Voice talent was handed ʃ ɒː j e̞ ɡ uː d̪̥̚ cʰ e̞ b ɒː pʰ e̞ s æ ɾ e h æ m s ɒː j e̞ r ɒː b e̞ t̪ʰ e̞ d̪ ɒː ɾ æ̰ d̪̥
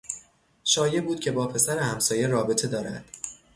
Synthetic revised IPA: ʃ ɒː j e̞ b uː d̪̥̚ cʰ e̞ b ɒː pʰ e̞ s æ ɾ e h æ m s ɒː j e̞ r ɒː b e̞ t̪ʰ e̞ d̪ ɒː ɾ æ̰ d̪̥